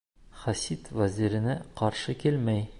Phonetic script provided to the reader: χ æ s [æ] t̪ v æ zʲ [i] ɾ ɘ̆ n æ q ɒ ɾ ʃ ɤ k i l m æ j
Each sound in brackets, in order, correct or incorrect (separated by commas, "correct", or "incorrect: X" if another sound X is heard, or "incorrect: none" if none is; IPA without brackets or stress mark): incorrect: i, correct